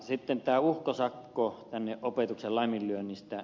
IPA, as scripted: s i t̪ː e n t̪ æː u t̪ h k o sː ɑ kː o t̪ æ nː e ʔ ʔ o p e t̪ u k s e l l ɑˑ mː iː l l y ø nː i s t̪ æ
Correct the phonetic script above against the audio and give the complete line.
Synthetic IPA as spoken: s i t̪ː e n t̪ æː u h k o s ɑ kː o t̪ æ nː e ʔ ʔ o p e t̪ u k s e l l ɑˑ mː i l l y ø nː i s t̪ æ